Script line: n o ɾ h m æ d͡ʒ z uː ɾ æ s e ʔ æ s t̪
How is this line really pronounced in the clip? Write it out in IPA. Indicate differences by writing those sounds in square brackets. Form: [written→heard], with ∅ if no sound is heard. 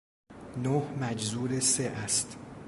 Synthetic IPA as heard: n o [ɾ→∅] h m æ d͡ʒ z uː ɾ [æ→e] s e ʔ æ s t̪